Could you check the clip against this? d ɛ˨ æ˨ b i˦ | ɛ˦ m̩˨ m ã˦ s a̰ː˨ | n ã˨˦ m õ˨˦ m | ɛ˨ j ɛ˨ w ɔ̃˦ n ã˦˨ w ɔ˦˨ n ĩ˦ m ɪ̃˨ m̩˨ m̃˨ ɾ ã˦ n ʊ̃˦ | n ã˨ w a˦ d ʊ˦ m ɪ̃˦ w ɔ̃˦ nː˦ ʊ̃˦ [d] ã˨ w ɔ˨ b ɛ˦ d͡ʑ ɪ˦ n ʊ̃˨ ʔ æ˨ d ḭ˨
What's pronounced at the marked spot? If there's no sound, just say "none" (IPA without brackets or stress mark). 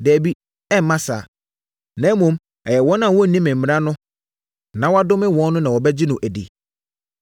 n